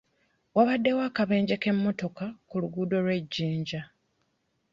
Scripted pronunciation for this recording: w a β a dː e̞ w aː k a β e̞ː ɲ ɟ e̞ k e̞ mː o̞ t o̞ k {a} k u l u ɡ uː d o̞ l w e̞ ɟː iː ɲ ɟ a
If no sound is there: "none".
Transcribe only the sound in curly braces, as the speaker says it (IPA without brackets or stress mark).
a